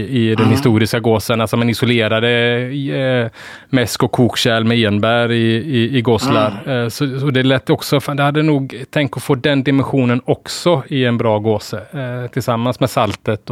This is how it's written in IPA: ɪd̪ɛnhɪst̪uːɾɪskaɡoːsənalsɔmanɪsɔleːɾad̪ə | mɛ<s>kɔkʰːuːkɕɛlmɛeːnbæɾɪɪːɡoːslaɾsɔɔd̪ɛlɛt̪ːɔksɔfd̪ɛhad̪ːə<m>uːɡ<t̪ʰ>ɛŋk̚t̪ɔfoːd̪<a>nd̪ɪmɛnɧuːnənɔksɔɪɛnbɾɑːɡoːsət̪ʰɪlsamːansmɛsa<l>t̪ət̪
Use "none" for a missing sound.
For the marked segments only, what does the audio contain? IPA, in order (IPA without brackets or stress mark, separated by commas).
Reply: s, n, t̪ʰ, ɛ, l